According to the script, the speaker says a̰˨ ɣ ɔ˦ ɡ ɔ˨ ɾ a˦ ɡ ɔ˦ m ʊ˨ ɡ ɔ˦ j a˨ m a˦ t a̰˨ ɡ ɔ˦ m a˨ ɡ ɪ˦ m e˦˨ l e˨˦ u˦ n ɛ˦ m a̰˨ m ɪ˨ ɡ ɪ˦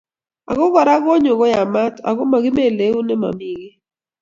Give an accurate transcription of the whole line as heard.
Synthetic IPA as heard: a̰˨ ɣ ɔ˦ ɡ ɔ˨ ɾ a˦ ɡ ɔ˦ ɲ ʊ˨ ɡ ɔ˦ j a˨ m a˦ t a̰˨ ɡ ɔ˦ m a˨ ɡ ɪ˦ m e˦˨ l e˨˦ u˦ n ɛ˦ m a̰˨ m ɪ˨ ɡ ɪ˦